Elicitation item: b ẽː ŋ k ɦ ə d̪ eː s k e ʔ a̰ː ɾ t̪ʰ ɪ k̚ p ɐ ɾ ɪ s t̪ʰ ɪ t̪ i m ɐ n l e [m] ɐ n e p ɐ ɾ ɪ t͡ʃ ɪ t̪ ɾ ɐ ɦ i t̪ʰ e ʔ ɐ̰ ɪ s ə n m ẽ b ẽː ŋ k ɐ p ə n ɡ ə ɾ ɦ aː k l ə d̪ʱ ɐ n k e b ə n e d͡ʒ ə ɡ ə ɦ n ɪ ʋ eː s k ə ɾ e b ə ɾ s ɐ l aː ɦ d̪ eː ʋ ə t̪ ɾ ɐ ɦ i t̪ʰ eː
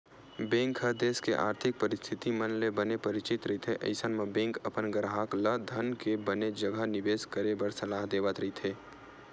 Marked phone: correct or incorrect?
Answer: incorrect: b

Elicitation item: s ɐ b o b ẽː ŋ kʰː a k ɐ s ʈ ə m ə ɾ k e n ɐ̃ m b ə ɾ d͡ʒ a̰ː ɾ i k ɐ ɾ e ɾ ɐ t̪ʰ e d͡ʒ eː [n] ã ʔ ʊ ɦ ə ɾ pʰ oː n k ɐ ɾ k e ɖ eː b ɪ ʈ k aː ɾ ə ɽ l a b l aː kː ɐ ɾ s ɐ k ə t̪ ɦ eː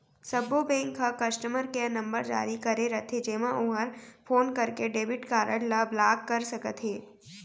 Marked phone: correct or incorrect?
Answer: incorrect: m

